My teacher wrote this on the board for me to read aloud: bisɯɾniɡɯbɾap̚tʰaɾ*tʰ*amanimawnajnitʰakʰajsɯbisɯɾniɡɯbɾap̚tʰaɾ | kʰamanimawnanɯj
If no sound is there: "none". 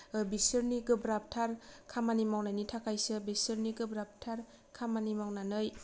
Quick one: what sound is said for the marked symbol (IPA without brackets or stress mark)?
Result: kʰ